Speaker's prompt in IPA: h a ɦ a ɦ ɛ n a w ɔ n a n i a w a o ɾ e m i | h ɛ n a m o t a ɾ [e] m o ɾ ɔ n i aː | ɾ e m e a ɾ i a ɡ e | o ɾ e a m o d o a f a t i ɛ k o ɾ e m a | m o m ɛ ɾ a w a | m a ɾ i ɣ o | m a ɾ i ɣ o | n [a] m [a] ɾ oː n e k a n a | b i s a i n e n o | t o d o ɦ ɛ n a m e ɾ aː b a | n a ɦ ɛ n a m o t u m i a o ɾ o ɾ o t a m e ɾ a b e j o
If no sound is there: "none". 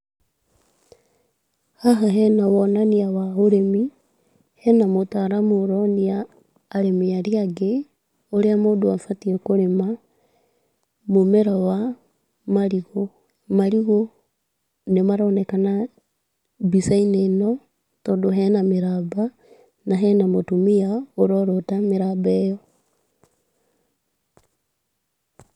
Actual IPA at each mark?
a, e, a

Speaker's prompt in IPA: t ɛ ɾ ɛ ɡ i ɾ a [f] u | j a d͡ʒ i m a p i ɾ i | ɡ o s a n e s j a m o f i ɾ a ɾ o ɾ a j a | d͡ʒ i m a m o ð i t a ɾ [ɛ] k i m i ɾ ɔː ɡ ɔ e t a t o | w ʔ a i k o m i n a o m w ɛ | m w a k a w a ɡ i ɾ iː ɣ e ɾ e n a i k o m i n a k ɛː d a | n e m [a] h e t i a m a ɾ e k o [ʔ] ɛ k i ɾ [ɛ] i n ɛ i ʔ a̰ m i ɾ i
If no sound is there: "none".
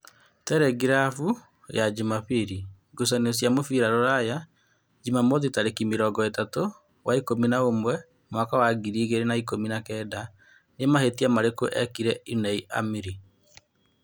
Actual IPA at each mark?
f, e, a, ʔ, ɛ

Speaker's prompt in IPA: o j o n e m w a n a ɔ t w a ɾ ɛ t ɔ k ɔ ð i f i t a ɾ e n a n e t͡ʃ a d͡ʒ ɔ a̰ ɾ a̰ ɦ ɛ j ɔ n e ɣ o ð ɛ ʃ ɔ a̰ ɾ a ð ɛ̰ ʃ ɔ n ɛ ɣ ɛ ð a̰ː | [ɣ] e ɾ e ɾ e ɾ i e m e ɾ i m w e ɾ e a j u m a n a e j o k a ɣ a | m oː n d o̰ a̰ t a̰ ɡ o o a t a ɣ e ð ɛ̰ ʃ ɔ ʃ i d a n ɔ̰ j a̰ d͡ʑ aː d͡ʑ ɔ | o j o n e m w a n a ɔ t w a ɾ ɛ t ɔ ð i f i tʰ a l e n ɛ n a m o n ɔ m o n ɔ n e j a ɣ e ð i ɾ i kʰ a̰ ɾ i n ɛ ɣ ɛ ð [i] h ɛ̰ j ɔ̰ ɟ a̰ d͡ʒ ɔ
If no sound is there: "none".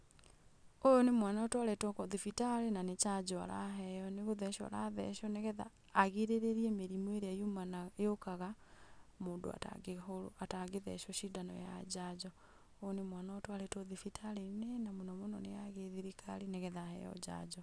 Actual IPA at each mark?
ɣ, a

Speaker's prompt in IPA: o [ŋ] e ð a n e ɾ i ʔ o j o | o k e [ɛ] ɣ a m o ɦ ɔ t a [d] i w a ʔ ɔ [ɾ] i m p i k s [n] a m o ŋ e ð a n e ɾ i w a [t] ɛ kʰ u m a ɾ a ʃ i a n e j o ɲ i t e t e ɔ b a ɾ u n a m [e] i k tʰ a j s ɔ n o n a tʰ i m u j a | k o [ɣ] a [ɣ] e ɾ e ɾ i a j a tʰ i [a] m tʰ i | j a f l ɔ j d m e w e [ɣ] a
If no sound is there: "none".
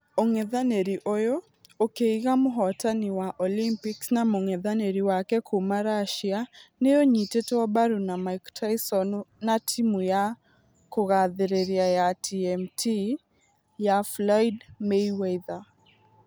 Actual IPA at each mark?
ŋ, i, n, l, n, k, a, ɣ, ð, ɛ, ð

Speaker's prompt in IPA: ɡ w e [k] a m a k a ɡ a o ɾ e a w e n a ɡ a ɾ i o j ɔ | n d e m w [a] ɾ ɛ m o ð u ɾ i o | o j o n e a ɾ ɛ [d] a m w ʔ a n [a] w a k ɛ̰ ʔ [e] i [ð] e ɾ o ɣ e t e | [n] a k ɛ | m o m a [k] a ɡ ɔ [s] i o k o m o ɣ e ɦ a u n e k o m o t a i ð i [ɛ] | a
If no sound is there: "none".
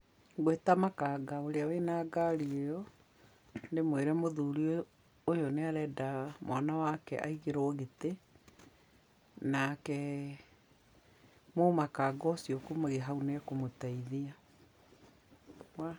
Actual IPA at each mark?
t, e, d, a, a, ɣ, n, k, s, a

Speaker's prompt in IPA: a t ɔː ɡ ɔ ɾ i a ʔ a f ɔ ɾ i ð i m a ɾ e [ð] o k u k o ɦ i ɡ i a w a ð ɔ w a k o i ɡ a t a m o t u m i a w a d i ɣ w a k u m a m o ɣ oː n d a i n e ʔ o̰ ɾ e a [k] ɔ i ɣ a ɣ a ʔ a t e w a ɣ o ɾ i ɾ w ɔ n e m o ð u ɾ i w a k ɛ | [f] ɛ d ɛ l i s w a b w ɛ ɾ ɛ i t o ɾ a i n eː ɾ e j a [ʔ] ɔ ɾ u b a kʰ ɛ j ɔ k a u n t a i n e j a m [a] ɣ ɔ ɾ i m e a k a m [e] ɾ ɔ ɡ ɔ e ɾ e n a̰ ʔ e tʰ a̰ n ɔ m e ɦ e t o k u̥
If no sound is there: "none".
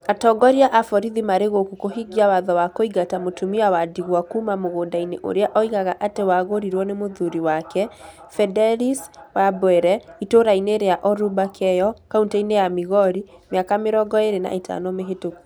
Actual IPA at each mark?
ɣ, ʔ, f, ʔ, i, e

